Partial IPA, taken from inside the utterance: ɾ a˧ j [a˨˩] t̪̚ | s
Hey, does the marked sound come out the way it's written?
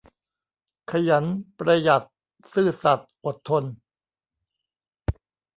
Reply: yes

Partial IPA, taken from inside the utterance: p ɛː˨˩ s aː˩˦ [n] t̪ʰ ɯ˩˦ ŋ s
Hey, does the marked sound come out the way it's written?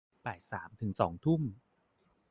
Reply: no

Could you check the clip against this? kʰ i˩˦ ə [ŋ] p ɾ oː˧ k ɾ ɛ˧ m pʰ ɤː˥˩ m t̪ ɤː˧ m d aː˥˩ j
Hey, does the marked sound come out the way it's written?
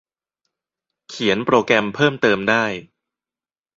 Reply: no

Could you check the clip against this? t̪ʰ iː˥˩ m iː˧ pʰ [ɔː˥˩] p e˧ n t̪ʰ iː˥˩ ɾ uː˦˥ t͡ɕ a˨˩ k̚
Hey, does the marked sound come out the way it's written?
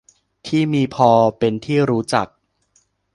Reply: no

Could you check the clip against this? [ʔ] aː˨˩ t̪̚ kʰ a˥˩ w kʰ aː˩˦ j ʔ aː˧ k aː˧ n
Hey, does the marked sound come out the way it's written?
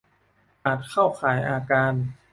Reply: yes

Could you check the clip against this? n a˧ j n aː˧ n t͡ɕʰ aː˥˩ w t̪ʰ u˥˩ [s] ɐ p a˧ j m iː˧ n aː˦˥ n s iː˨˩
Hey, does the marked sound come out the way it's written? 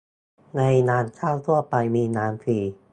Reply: no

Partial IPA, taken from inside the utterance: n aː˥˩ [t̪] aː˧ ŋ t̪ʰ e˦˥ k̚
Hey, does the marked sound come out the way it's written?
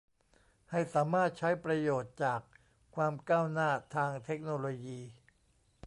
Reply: no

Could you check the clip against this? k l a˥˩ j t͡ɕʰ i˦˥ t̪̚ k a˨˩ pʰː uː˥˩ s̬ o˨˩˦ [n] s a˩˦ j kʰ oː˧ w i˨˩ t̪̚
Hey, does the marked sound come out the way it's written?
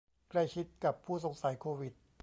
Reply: no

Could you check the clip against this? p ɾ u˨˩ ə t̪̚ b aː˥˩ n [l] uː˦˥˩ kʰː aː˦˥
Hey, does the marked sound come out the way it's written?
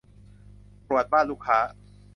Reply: yes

